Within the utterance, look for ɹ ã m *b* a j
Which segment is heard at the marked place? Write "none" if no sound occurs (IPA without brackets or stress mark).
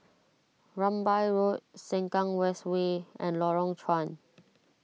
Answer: b